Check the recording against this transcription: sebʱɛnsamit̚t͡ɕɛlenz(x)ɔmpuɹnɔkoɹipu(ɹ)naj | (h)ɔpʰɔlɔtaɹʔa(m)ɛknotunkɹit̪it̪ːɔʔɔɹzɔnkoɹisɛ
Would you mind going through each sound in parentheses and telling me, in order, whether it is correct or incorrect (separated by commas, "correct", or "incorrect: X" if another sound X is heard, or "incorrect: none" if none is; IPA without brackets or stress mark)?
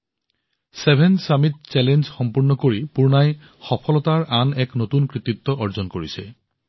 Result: correct, correct, incorrect: x, incorrect: n